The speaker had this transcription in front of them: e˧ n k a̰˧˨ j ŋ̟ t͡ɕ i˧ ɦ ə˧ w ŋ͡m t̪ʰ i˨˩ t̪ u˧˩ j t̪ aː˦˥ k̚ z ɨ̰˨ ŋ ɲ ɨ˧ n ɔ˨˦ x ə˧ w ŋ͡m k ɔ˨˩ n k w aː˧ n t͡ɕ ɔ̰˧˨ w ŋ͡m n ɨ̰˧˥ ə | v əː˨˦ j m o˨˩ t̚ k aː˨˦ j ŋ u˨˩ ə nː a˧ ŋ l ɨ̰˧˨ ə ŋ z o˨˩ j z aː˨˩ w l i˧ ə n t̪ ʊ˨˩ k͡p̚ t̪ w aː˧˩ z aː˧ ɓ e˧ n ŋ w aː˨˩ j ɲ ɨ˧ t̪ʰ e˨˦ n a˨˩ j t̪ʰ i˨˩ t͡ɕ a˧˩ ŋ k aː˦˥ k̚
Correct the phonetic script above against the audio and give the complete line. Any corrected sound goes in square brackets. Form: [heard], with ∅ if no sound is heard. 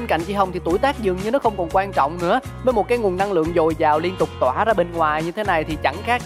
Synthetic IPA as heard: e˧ n k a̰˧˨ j ŋ̟ t͡ɕ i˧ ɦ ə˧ w ŋ͡m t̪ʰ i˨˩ t̪ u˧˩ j t̪ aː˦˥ k̚ z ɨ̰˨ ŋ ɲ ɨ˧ n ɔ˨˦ x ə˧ w ŋ͡m k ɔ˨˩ n k w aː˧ n t͡ɕ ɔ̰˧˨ w ŋ͡m n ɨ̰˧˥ ə | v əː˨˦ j m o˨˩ t̚ k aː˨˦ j ŋ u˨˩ ə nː a˧ ŋ l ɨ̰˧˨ ə ŋ z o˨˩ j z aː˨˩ w l i˧ ə n t̪ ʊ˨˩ k͡p̚ t̪ w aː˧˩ z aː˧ ɓ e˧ n ŋ w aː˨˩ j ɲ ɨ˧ t̪ʰ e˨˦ n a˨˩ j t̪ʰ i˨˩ t͡ɕ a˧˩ ŋ [x] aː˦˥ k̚